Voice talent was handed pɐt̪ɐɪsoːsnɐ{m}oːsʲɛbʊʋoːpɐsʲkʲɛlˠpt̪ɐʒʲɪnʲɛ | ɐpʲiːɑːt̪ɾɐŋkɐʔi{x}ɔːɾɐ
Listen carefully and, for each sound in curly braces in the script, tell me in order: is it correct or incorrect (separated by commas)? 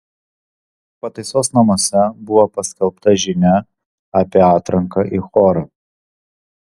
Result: correct, correct